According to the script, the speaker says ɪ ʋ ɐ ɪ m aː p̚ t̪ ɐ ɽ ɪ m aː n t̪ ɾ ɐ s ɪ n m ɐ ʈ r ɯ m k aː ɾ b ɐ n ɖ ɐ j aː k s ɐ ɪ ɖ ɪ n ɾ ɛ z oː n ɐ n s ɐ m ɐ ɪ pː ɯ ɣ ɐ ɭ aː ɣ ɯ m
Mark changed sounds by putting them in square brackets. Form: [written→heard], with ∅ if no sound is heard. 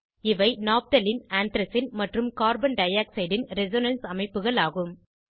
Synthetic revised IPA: ɪ ʋ ɐ ɪ [m→n] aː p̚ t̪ ɐ [ɽ→l] ɪ [m→n] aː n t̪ ɾ ɐ s ɪ n m ɐ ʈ r ɯ m k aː ɾ b ɐ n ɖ ɐ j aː k s ɐ ɪ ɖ ɪ n ɾ ɛ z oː n ɐ n s ɐ m ɐ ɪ pː ɯ ɣ ɐ ɭ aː ɣ ɯ m